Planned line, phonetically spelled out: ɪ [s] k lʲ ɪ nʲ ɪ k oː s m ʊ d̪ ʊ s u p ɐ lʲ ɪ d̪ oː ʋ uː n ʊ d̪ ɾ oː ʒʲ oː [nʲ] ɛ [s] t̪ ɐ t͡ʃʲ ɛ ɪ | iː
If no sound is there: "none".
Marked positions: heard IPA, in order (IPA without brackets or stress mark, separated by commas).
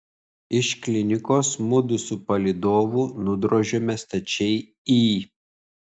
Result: ʃ, mʲ, s